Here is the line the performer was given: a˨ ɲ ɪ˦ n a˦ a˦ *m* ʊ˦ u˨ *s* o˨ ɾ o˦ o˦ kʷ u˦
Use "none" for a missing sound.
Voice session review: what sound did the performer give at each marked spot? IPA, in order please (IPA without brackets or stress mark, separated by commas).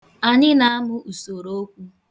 m, s